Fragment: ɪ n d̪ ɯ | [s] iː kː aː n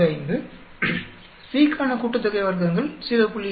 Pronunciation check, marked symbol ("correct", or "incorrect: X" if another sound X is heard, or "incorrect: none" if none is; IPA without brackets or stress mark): correct